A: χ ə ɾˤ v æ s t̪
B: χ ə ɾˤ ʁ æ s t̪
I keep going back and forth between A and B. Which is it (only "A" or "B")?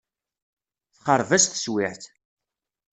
A